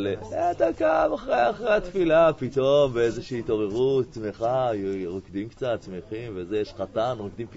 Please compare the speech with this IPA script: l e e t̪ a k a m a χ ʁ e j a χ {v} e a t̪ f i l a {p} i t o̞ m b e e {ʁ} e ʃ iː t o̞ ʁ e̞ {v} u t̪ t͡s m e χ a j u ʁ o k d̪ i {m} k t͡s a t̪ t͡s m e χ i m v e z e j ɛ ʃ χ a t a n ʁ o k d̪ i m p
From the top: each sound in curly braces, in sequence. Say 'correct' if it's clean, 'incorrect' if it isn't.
incorrect: ʁ, correct, incorrect: z, incorrect: ʁ, correct

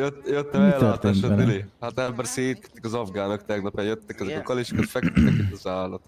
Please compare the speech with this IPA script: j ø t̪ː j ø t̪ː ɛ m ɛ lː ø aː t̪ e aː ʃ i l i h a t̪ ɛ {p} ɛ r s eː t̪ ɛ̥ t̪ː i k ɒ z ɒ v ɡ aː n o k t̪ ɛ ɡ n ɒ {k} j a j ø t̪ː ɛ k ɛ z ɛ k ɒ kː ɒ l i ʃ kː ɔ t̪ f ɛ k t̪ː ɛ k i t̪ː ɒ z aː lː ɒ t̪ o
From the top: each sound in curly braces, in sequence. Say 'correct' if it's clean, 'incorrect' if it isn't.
incorrect: b, incorrect: p

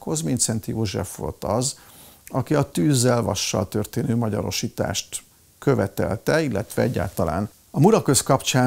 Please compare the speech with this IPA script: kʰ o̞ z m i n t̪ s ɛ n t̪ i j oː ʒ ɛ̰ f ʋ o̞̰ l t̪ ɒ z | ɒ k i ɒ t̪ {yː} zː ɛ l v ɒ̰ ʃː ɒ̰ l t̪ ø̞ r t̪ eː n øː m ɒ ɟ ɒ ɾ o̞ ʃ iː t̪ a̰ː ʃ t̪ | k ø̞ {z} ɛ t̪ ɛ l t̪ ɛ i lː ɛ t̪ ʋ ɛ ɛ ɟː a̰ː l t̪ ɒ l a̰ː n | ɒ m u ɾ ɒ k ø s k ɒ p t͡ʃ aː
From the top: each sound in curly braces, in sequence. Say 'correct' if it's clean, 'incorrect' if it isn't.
correct, incorrect: v

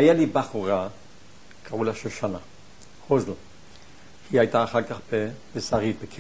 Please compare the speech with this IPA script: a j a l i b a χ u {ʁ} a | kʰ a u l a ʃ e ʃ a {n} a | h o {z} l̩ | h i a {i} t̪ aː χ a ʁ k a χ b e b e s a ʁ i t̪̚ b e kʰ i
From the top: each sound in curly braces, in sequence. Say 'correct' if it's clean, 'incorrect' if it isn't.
correct, correct, correct, incorrect: j

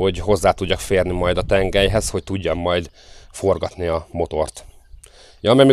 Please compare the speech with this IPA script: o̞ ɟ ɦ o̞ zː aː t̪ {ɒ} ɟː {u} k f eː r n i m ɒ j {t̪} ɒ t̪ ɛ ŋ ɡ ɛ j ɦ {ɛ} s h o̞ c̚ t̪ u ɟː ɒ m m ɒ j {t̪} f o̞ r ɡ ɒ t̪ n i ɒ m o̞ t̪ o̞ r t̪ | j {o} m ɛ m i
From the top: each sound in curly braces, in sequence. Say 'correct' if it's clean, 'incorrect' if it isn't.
incorrect: u, incorrect: ɒ, incorrect: d̪, correct, incorrect: d̪, incorrect: ɒ

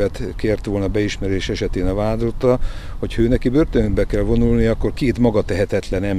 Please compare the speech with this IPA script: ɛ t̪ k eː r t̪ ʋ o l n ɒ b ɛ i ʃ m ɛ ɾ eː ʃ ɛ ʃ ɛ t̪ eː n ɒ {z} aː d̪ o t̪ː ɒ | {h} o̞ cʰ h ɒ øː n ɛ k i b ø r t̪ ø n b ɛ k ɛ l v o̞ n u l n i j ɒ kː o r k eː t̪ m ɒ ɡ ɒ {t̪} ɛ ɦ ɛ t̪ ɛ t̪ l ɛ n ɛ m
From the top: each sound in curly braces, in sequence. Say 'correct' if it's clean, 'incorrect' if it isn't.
incorrect: v, correct, correct

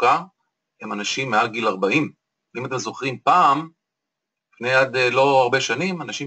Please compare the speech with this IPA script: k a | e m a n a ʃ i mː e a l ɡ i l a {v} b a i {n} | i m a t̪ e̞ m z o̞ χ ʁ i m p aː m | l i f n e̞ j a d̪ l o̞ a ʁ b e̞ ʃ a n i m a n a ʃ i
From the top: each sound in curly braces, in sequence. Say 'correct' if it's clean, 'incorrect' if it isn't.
incorrect: ʁ, incorrect: m

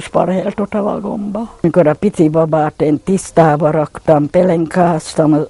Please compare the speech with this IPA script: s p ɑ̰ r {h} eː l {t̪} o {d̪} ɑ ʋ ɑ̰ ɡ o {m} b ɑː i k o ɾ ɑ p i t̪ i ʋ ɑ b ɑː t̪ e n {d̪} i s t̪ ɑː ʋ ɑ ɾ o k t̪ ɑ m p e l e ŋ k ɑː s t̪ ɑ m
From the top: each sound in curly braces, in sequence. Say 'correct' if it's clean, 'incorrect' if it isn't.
correct, correct, incorrect: t̪, correct, incorrect: t̪

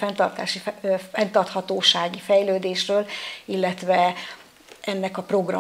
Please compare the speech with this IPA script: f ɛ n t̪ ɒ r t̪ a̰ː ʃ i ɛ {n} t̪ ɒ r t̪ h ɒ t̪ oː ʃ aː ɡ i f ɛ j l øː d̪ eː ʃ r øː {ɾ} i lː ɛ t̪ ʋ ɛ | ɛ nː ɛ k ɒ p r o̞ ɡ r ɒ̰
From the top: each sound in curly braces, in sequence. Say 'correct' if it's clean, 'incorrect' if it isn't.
correct, incorrect: l

